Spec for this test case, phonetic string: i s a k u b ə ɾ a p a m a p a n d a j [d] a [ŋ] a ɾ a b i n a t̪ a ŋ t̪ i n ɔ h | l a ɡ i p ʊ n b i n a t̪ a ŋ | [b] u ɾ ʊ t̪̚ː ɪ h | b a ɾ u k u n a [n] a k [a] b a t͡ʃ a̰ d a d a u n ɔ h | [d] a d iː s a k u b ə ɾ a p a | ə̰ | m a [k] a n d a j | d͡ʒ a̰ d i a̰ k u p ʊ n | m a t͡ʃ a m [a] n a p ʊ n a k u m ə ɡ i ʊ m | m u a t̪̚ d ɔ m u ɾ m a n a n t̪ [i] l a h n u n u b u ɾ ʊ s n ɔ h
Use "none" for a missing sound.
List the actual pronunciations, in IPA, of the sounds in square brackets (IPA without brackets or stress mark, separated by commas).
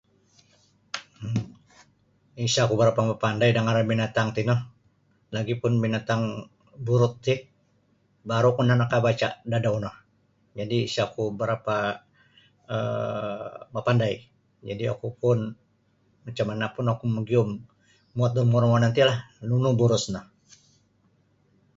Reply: d, ŋ, b, n, a, d͡ʒ, p, a, i